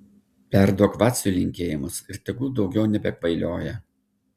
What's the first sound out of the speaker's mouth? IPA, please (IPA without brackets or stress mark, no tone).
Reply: pʲ